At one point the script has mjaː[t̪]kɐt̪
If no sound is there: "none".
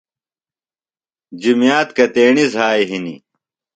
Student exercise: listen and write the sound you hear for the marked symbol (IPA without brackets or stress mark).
t̪